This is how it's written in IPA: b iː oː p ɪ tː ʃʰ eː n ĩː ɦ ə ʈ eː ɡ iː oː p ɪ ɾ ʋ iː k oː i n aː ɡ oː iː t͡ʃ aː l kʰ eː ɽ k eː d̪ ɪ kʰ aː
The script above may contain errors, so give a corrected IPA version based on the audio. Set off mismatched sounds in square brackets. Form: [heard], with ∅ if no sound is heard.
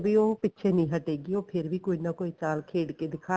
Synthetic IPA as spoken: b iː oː p ɪ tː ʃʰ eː n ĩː ɦ ə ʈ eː ɡ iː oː [pʰ] ɪ ɾ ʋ iː k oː i n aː [k] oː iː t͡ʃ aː l kʰ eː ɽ k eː d̪ ɪ kʰ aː